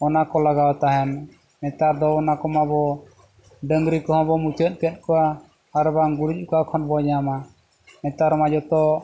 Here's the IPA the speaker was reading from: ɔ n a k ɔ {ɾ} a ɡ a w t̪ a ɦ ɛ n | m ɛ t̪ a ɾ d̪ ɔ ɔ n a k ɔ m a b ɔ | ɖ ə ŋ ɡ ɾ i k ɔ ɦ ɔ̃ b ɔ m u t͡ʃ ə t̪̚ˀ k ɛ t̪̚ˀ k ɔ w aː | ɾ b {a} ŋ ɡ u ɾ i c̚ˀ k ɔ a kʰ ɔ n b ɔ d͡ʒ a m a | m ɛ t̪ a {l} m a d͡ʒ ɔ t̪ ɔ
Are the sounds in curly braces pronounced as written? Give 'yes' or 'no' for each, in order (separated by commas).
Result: no, yes, no